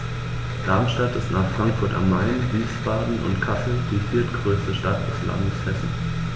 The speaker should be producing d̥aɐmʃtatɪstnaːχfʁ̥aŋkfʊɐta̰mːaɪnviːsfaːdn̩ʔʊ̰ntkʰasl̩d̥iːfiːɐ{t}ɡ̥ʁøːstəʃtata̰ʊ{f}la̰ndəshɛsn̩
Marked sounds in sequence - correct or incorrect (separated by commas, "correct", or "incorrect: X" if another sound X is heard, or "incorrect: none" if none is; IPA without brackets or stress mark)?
correct, incorrect: s